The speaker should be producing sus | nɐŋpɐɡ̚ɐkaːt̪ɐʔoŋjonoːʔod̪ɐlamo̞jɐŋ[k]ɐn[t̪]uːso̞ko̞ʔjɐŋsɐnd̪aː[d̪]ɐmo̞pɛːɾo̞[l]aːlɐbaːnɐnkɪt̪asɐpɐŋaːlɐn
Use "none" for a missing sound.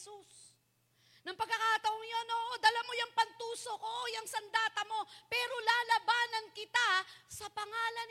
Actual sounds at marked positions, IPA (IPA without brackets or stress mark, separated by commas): p, t̪, t̪, l